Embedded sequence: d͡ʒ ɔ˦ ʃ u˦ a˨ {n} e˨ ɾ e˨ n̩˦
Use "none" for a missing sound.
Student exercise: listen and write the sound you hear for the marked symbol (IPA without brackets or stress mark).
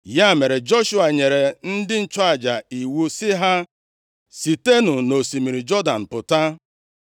ɲ